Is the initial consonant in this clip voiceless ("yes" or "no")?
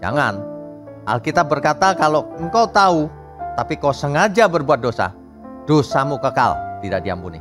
no